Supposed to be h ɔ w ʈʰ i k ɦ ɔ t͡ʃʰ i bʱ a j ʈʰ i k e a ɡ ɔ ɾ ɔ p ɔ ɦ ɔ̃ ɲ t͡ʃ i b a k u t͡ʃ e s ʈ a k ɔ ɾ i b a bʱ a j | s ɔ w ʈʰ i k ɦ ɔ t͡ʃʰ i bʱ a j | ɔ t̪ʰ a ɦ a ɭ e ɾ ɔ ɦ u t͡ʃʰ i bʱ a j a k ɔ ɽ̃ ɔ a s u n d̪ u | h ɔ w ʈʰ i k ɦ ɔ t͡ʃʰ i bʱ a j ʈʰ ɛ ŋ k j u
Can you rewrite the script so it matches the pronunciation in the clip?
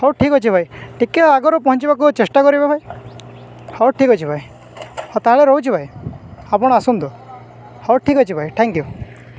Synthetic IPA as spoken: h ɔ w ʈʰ i k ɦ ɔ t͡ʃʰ i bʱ a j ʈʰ i k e a ɡ ɔ ɾ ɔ p ɔ ɦ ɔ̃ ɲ t͡ʃ i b a k u t͡ʃ e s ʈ a k ɔ ɾ i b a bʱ a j | h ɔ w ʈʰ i k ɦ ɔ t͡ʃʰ i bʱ a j | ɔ t̪ a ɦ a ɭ e ɾ ɔ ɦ u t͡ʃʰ i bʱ a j a p ɔ ɽ̃ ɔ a s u n d̪ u | h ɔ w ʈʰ i k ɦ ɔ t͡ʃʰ i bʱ a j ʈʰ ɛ ŋ k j u